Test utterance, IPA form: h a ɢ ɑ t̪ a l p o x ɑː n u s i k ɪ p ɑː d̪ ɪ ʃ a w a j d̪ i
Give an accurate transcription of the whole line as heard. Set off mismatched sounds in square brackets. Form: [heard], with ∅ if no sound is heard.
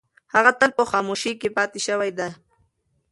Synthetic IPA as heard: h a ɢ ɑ t̪ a l p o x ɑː [m] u [ʃ] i k ɪ p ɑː [t̪] ɪ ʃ a w a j d̪ [a]

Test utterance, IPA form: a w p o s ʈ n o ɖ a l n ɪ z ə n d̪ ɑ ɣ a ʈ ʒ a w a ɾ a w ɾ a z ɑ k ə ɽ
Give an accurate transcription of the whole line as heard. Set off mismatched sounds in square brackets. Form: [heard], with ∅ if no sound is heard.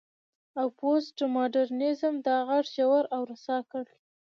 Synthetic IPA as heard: a w p o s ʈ [m] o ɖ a [ɾ] n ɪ z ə [m] d̪ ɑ ɣ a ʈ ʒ a w a ɾ a w ɾ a [s] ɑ k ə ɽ

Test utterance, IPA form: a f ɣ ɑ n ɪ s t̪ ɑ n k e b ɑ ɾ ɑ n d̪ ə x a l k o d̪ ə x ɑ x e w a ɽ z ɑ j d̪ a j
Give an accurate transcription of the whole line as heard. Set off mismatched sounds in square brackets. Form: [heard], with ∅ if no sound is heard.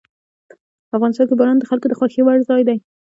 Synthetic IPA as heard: a f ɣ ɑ n ɪ s t̪ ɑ n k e b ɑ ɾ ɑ n d̪ ə x a l k o d̪ ə x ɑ x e w a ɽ z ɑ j d̪ a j

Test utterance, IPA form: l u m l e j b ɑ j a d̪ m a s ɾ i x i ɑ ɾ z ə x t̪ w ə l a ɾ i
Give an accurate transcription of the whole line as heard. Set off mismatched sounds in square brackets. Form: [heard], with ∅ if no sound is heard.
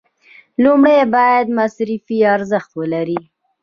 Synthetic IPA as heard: l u m [ɽ] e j b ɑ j a d̪ m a s ɾ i [f] i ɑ ɾ z ə x t̪ w ə l a ɾ i

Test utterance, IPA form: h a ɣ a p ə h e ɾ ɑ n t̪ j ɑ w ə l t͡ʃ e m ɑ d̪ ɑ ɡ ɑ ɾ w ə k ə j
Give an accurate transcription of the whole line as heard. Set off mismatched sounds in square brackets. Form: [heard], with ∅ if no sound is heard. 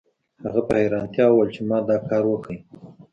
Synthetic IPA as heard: h a ɣ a p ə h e ɾ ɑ n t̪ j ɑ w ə l t͡ʃ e m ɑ d̪ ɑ [k] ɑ ɾ w ə k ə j

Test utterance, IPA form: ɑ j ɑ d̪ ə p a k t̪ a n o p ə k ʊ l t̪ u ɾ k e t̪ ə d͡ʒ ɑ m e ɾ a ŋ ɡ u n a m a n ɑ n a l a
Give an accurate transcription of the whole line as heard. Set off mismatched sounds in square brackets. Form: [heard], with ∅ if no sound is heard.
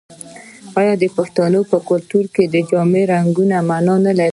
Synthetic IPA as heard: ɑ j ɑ d̪ ə p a [x] t̪ a n o p ə k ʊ l t̪ u ɾ k e [d̪] ə d͡ʒ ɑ m e ɾ a ŋ ɡ u n a m a n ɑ n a l a

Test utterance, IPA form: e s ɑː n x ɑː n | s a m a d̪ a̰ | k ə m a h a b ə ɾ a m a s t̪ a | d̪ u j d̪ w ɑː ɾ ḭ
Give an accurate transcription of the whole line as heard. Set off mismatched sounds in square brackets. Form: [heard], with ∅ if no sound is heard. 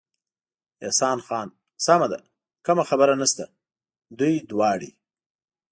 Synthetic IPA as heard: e s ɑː n x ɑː n | s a m a d̪ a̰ | k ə m a [x] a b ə ɾ a [n] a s t̪ a | d̪ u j d̪ w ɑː [ɽ] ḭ

